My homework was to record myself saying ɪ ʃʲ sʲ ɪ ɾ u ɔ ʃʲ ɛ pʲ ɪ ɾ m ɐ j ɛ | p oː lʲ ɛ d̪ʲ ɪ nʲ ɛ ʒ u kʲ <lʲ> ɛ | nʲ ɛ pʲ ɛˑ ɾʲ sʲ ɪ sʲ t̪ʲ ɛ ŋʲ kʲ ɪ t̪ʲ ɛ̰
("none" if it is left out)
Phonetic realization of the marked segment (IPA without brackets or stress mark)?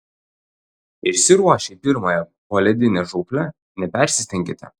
lʲ